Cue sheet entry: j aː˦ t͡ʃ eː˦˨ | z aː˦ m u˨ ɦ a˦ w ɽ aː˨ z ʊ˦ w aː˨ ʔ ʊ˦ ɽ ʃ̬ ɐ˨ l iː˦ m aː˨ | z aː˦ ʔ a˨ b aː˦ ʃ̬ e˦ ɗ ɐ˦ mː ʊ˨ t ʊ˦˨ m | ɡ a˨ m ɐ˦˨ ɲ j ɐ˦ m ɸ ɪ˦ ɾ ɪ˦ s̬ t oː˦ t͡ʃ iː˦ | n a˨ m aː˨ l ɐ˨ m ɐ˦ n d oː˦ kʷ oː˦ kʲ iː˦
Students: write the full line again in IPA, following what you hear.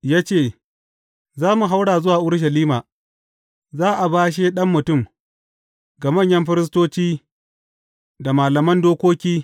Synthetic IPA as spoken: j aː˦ t͡ʃ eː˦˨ | z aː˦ m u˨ ɦ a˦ w ɽ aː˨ z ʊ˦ w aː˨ ʔ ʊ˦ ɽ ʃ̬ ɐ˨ l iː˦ m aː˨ | z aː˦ ʔ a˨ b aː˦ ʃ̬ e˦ ɗ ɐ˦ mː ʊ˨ t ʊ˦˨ m | ɡ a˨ m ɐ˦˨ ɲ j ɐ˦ m ɸ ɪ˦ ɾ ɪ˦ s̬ t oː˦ t͡ʃ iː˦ | d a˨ m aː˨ l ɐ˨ m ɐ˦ n d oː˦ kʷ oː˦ kʲ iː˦